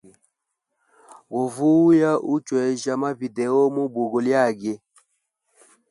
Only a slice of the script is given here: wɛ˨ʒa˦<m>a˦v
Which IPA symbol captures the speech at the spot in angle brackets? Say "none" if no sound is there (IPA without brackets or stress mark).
m